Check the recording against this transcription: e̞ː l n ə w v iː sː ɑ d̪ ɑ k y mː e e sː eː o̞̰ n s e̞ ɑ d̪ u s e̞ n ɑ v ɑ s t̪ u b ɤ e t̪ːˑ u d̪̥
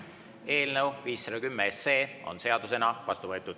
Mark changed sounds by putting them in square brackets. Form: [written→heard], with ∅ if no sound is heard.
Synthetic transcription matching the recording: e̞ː l n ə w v iː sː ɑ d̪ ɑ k y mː e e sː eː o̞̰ n s e̞ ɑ d̪ u s e̞ n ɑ v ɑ s t̪ u [b→v] ɤ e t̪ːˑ u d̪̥